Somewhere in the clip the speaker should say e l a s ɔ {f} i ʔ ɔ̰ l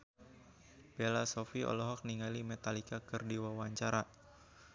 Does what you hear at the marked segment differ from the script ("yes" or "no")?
no